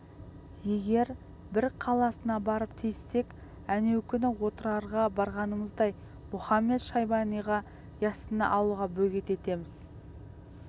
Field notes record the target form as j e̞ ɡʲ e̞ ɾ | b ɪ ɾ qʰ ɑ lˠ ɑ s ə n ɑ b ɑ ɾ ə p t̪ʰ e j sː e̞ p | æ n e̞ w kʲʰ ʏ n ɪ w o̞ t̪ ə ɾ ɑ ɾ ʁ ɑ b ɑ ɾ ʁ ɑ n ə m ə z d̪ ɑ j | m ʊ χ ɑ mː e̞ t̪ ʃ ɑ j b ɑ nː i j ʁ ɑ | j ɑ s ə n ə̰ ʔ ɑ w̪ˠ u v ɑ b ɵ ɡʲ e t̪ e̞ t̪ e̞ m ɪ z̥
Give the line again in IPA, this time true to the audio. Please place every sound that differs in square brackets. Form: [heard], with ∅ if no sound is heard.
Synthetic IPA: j e̞ ɡʲ e̞ ɾ | b ɪ ɾ qʰ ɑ lˠ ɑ s ə n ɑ b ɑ ɾ ə p t̪ʰ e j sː e̞ [k] | æ n e̞ w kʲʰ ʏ n ɪ w o̞ t̪ ə ɾ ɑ ɾ ʁ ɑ b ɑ ɾ ʁ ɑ n ə m ə z d̪ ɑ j | m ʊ χ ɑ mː e̞ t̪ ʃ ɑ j b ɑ [n] i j ʁ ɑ | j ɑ s ə n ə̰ ʔ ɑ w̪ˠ u [ʁ] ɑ b ɵ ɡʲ e t̪ e̞ t̪ e̞ m ɪ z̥